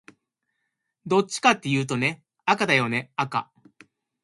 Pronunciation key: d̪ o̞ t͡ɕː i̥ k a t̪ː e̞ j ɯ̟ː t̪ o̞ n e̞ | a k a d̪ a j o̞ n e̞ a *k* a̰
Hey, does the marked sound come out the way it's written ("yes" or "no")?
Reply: yes